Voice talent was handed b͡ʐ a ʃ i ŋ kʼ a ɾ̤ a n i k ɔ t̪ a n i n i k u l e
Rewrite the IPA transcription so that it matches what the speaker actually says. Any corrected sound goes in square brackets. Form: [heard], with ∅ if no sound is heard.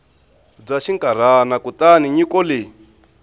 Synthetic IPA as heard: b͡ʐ a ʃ i ŋ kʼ a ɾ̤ a n [a] k [u] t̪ a n i [ɲ] i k [ɔ] l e